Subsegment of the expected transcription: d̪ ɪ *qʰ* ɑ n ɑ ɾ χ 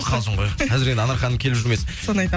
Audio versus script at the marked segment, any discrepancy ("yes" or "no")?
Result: yes